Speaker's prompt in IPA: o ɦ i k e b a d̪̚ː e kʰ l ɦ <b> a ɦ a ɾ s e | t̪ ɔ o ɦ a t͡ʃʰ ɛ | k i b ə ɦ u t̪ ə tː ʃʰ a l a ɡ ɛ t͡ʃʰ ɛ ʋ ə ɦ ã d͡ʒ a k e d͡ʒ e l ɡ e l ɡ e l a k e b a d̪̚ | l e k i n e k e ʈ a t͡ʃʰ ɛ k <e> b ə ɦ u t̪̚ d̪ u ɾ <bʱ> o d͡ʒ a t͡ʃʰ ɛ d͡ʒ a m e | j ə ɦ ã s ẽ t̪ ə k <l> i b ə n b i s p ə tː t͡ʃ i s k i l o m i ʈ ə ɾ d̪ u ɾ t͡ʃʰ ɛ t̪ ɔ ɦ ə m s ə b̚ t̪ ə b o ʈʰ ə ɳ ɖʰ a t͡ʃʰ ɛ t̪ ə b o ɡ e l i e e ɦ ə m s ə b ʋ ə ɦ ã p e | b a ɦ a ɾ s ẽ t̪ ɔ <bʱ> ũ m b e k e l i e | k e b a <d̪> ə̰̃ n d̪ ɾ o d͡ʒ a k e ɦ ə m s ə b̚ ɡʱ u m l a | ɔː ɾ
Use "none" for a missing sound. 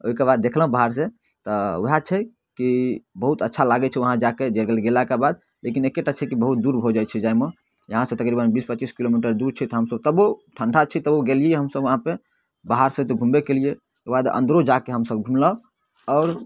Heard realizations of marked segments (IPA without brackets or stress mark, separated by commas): b, i, bʱ, ɾ, ɡʱ, d̪